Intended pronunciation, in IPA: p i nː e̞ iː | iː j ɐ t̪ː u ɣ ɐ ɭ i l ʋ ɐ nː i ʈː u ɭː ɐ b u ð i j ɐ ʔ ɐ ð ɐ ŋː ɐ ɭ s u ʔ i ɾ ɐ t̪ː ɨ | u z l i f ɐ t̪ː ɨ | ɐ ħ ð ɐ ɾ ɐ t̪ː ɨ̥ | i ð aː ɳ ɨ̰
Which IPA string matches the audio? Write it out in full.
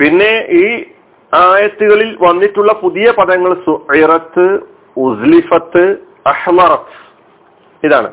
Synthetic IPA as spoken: p i nː e̞ iː | aː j ɐ t̪ː u ɣ ɐ ɭ i l ʋ ɐ nː i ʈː u ɭː ɐ p u ð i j ɐ p ɐ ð ɐ ŋː ɐ ɭ s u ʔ i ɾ ɐ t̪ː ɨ | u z l i f ɐ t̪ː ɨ | ɐ ħ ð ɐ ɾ ɐ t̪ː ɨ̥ | i ð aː ɳ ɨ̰